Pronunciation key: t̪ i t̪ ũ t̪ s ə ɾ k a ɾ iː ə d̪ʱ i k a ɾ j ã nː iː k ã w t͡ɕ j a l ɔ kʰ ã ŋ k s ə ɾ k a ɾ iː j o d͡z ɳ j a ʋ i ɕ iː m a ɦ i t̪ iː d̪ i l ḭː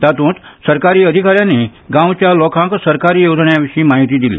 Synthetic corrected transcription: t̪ a t̪ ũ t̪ s ə ɾ k a ɾ iː ə d̪ʱ i k a ɾ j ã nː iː ɡ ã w t͡ɕ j a l ɔ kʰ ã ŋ k s ə ɾ k a ɾ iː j o d͡z ɳ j a ʋ i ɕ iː m a ɦ i t̪ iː d̪ i l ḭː

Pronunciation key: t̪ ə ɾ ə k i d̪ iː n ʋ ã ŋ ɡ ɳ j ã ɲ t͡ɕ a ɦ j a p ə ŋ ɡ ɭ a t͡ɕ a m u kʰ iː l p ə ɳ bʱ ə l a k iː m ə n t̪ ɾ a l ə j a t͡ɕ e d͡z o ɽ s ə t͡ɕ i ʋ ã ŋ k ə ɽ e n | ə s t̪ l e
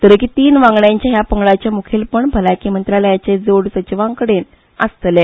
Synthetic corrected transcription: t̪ ə ɾ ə k i t̪ iː n ʋ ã ŋ ɡ ɳ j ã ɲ t͡ɕ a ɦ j a p ə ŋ ɡ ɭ a t͡ɕ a m u kʰ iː l p ə ɳ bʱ ə l a k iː m ə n t̪ ɾ a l ə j a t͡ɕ e d͡z o ɽ s ə t͡ɕ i ʋ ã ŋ k ə ɽ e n | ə s t̪ l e

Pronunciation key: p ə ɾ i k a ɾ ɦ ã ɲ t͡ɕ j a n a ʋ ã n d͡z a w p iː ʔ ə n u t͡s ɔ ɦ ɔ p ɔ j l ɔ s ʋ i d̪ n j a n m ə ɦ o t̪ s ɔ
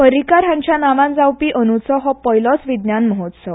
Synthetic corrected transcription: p ə ɾ i k a ɾ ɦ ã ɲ t͡ɕ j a n a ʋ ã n d͡z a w p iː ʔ ə n u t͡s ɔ ɦ ɔ p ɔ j l ɔ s ʋ i d̪ n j a n m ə ɦ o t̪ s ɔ

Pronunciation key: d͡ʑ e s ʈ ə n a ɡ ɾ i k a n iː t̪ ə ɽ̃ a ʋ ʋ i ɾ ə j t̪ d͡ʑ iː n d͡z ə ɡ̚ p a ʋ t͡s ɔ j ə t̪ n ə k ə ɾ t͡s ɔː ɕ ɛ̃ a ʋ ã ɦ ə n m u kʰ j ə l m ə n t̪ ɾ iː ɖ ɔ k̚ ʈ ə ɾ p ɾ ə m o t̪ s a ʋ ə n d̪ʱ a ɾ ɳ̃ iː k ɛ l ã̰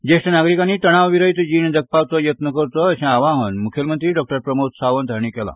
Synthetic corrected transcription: d͡ʑ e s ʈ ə n a ɡ ɾ i k a n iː t̪ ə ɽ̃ a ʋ ʋ i ɾ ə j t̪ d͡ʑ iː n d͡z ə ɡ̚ p a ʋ t͡s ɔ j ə t̪ n ə k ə ɾ t͡s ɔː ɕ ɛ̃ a ʋ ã ɦ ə n m u kʰ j ə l m ə n t̪ ɾ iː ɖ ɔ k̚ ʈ ə ɾ p ɾ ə m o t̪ s a ʋ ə n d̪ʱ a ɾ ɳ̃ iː k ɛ l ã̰

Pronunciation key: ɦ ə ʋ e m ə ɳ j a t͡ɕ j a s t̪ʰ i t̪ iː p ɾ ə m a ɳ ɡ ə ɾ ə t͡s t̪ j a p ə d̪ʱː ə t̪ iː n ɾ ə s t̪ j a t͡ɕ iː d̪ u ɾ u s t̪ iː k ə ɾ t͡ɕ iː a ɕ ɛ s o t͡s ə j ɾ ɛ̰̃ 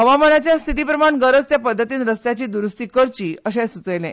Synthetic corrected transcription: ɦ ə ʋ a m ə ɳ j a t͡ɕ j a s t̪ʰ i t̪ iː p ɾ ə m a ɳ ɡ ə ɾ ə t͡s t̪ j a p ə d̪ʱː ə t̪ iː n ɾ ə s t̪ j a t͡ɕ iː d̪ u ɾ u s t̪ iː k ə ɾ t͡ɕ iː ə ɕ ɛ s u t͡s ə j l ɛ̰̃

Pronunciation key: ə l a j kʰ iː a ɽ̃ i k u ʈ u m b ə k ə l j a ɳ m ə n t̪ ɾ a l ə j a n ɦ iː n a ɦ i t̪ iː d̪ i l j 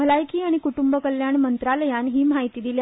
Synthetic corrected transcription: ə l a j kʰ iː a ɽ̃ i k u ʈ u m b ə k ə l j a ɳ m ə n t̪ ɾ a l ə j a n ɦ iː m a ɦ i t̪ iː d̪ i l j

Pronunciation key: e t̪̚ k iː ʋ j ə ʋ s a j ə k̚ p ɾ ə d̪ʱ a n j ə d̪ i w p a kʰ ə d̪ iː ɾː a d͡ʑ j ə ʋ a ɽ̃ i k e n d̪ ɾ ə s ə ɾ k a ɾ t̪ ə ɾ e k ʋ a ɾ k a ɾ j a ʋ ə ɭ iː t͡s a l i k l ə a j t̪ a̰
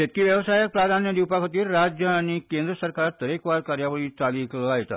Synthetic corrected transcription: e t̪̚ k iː ʋ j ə ʋ s a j ə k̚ p ɾ a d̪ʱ a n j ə d̪ i w p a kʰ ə t̪ iː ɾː a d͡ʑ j ə a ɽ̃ i k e n d̪ ɾ ə s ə ɾ k a ɾ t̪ ə ɾ e k ʋ a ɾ k a ɾ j a ʋ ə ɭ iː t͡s a l i k l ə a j t̪ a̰

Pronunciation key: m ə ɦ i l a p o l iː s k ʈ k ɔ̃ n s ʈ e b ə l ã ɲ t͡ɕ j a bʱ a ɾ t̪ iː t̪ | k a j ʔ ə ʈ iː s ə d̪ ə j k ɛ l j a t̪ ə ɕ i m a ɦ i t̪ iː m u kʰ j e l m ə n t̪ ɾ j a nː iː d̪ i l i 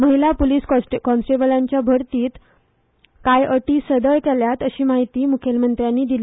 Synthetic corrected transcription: m ə ɦ i l a p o l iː s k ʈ k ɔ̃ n s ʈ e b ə l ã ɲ t͡ɕ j a bʱ ə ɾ t̪ iː t̪ | k a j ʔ ə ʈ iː s ə d̪ ə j k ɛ l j a t̪ ə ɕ iː m a ɦ i t̪ iː m u kʰ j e l m ə n t̪ ɾ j a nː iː d̪ i l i

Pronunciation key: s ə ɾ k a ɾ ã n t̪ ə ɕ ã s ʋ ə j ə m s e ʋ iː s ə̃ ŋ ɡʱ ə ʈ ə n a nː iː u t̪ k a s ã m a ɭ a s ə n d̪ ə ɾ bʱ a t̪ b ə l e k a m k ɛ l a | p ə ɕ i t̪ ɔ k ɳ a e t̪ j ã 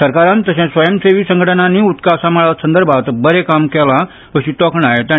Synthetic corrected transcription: s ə ɾ k a ɾ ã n t̪ ə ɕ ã s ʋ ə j ə m s e ʋ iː s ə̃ ŋ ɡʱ ə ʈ ə n a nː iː u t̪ k a s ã m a ɭ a s ə n d̪ ə ɾ bʱ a t̪ b ə ɾ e k a m k ɛ l a | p ə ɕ i t̪ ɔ k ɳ a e t̪ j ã

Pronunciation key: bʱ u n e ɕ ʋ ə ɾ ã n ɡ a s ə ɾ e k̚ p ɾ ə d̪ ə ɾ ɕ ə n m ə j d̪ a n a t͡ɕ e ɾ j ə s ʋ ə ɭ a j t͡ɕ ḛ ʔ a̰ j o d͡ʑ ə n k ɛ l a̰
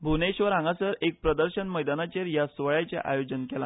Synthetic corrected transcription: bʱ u n e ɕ ʋ ə ɾ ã ŋ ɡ a s ə ɾ e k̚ p ɾ ə d̪ ə ɾ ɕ ə n m ə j d̪ a n a t͡ɕ e ɾ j a s ʋ ə ɭ a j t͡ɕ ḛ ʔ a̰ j o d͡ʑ ə n k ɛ l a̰

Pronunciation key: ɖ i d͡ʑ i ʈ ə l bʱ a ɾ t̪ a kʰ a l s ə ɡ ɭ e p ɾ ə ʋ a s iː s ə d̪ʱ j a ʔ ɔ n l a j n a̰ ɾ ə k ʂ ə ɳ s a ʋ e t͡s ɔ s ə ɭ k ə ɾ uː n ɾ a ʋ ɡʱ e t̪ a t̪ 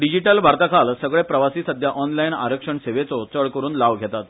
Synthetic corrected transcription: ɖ i d͡ʑ i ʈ ə l bʱ a ɾ t̪ a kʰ a l s ə ɡ ɭ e p ɾ ə ʋ a s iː s ə d̪ʱ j a ʔ ɔ n l a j n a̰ ɾ ə k ʂ ə ɳ s e ʋ e t͡s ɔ t͡s ə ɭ k ə ɾ uː n l a ʋ ɡʱ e t̪ a t̪

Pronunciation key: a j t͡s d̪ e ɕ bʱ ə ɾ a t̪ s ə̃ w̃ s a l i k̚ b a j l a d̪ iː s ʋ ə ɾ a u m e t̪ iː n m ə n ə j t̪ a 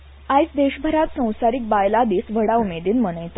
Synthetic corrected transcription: a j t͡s d̪ e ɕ bʱ ə ɾ a t̪ s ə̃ w̃ s a ɾ i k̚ b a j l a d̪ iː s ʋ ə ɽ a u m e d̪ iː n m ə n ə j t̪ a

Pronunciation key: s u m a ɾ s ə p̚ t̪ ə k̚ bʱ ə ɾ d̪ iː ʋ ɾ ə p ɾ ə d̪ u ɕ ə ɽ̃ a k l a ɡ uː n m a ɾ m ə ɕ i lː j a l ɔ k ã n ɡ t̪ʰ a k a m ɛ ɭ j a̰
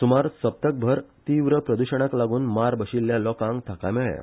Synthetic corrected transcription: s u m a ɾ s ə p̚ t̪ ə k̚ bʱ ə ɾ t̪ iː ʋ ɾ ə p ɾ ə d̪ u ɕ ə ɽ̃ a k l a ɡ uː n m a ɾ b ə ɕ i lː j a l ɔ k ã ŋ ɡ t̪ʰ a k a m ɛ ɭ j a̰

